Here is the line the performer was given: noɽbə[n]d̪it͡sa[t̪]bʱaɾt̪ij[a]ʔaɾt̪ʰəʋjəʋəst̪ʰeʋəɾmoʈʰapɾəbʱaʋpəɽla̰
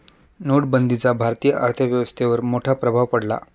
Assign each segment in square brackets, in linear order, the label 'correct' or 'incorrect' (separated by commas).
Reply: correct, incorrect, incorrect